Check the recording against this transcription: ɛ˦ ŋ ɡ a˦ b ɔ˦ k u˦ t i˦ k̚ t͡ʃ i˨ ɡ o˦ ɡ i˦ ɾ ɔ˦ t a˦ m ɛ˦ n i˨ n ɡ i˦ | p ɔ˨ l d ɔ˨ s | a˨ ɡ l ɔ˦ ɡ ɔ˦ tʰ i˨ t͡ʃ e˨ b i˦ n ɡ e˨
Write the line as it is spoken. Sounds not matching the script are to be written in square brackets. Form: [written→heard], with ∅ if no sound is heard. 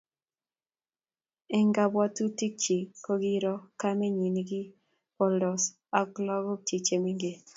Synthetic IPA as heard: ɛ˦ ŋ ɡ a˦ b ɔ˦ [k→t] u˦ t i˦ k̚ t͡ʃ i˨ [ɡ→k] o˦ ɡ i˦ ɾ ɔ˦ [t→k] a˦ m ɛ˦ [n→ɲ] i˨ n ɡ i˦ | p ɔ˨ l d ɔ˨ s | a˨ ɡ l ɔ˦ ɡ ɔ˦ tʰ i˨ t͡ʃ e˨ [b→m] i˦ [n→ŋ] ɡ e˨